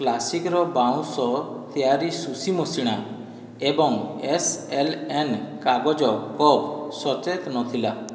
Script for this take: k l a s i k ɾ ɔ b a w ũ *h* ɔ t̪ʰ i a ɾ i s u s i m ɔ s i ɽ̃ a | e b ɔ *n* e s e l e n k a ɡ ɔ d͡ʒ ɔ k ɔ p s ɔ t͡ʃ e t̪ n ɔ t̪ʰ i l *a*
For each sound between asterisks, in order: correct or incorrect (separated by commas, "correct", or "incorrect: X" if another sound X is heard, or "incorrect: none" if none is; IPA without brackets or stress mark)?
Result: incorrect: s, incorrect: ŋ, correct